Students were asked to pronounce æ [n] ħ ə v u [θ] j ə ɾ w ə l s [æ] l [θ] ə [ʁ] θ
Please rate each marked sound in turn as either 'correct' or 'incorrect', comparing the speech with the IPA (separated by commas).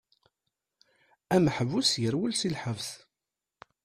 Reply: incorrect, incorrect, incorrect, incorrect, incorrect